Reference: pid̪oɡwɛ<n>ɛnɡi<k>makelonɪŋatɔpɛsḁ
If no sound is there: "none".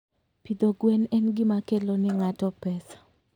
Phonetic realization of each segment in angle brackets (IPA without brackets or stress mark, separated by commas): n, none